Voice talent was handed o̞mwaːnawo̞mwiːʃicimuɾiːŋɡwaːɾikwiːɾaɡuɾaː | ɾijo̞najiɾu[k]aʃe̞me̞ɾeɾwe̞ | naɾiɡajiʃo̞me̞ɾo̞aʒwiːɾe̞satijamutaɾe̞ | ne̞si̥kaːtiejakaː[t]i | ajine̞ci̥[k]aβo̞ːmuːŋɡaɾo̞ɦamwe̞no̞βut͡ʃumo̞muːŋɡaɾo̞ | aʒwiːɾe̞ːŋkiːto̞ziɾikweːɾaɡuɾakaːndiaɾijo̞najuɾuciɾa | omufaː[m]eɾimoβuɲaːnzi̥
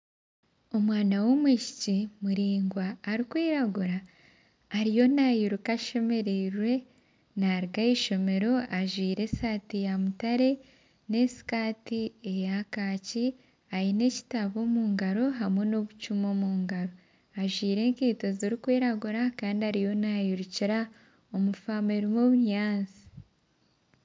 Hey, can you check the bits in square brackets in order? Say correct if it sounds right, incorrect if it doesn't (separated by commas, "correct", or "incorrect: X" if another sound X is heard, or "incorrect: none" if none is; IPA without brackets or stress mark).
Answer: correct, incorrect: c, incorrect: t, correct